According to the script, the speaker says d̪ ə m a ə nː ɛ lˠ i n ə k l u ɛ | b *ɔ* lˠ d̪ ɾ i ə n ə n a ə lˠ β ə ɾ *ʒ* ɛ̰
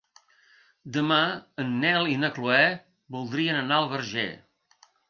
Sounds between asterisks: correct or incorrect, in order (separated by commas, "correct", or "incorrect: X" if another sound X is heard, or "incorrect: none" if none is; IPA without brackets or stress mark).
incorrect: u, correct